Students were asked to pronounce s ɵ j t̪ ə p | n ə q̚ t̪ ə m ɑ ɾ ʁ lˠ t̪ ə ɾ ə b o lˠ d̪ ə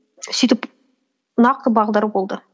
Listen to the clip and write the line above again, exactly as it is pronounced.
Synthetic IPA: s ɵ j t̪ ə p | n ɑ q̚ t̪ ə b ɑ ʁ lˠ d̪ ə ɾ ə b o lˠ d̪ ə